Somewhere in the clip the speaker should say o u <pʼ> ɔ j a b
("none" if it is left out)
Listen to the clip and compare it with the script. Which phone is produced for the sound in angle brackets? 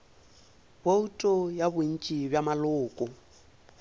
tʼ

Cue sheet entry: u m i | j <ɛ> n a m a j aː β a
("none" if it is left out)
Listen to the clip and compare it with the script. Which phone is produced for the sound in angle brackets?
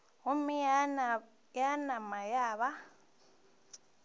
a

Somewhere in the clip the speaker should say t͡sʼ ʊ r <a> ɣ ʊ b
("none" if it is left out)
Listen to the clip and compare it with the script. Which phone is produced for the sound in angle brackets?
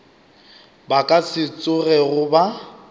ɛ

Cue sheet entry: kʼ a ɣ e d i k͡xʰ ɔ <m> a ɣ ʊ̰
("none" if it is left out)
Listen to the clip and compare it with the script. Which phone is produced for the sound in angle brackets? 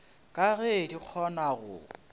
n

